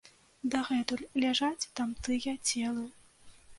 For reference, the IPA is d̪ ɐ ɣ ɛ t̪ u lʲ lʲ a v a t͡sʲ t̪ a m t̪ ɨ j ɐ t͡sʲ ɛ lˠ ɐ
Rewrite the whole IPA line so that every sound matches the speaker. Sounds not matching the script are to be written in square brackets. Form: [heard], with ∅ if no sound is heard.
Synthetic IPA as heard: d̪ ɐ ɣ ɛ t̪ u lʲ lʲ a [ʐ] a t͡sʲ t̪ a m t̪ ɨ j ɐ t͡sʲ ɛ lˠ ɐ